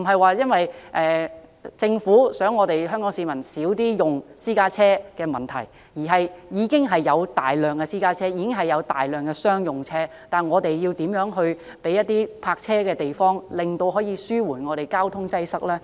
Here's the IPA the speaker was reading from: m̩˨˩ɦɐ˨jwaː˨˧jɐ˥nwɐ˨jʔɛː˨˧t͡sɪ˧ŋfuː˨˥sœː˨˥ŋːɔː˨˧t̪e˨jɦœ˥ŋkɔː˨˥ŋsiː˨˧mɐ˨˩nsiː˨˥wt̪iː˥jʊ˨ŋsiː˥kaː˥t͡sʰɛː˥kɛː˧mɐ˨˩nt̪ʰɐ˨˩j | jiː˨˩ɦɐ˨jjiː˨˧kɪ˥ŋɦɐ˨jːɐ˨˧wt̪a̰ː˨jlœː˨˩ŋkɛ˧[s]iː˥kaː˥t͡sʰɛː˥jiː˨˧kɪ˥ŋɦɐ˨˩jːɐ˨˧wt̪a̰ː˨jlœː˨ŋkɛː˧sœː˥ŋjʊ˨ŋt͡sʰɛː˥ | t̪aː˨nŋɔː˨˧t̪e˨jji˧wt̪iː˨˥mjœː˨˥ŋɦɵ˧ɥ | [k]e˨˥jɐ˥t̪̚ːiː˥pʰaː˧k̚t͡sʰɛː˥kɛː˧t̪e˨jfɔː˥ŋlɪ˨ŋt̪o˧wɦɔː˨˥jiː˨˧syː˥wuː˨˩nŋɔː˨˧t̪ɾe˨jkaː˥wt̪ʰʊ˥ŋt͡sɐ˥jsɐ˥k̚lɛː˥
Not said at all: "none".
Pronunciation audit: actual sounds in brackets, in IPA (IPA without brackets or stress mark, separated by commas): s, p